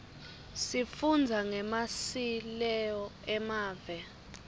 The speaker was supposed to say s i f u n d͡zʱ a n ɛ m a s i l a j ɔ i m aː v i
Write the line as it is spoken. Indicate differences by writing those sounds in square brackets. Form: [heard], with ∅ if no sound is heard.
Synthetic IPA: s i f u n d͡zʱ a [ŋ] ɛ m a s i l [ɛ] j ɔ [ɛ] m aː v [ɛ]